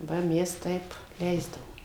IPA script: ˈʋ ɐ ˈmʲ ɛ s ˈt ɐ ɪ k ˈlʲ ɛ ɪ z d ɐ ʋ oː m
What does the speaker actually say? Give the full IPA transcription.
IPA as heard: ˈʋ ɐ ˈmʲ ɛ s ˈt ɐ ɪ p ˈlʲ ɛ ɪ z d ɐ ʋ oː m